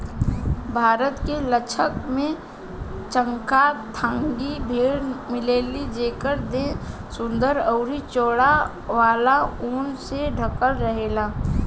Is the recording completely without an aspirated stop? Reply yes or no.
no